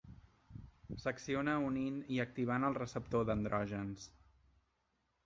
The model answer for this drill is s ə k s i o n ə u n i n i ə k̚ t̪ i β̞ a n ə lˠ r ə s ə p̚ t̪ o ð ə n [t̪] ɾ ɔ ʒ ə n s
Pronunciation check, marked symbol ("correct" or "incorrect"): incorrect